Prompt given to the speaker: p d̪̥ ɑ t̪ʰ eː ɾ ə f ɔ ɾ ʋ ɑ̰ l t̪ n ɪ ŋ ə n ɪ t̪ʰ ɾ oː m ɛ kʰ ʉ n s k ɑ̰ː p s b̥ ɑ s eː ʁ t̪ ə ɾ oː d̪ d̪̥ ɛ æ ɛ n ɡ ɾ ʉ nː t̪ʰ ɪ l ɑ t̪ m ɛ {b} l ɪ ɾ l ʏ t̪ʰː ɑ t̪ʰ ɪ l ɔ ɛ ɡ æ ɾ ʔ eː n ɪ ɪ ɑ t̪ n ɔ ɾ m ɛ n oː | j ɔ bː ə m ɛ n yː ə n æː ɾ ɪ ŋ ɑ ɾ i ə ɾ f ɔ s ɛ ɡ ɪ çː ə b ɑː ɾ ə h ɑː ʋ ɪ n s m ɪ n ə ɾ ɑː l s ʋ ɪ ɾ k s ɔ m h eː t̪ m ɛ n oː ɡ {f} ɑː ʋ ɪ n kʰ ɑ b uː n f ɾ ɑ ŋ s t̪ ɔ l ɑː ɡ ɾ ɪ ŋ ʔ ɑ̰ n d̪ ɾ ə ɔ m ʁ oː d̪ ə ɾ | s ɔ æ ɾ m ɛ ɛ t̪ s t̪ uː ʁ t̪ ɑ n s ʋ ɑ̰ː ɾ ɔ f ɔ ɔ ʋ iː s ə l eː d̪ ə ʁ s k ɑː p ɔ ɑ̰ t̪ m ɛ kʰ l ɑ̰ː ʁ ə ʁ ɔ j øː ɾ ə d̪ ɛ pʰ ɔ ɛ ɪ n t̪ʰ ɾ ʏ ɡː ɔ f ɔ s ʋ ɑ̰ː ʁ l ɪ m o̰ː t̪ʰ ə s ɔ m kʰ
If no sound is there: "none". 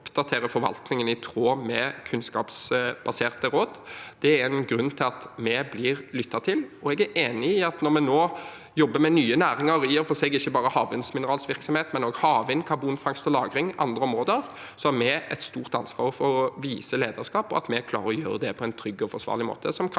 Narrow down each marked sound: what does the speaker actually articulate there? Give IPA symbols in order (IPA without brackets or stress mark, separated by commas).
b, h